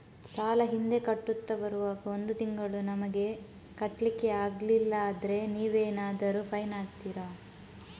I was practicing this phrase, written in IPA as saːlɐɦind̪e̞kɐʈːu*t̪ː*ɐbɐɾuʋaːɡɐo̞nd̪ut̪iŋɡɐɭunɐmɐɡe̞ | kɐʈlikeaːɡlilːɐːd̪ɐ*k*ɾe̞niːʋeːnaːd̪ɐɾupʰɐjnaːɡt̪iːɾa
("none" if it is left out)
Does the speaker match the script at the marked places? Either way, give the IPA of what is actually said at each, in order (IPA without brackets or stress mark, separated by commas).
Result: t̪ː, none